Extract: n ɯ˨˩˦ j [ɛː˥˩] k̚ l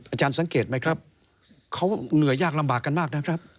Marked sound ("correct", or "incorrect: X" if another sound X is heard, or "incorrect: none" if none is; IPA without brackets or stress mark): incorrect: aː˥˩